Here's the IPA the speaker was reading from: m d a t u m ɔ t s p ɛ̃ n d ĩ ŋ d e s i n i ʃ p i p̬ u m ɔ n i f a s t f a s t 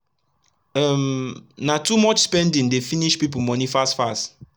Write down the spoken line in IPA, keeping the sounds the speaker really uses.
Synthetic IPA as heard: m n a t u m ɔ t͡ʃ s p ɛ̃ n d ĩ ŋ d e f i n i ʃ p i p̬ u m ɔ n i f a s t f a s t